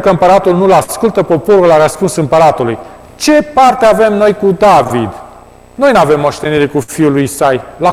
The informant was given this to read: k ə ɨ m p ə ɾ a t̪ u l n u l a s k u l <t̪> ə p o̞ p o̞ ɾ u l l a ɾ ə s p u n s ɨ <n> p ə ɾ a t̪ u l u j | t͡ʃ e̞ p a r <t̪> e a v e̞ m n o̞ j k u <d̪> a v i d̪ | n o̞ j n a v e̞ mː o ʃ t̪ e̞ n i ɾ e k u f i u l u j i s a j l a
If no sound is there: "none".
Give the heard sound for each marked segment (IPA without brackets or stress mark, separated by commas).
t̪, m, t̪, d̪